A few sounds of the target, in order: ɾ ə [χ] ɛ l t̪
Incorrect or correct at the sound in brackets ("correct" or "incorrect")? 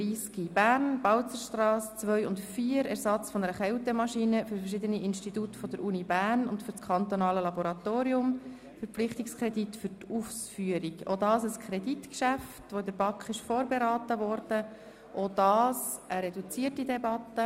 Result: correct